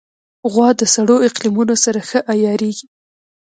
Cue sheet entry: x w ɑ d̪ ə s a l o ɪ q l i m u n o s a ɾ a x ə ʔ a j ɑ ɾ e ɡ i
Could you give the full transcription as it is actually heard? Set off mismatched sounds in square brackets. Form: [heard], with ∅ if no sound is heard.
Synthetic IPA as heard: [ɣ] w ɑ d̪ ə s a [ɽ] o ɪ q l i m u n o s a ɾ a x ə ʔ a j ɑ ɾ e ɡ i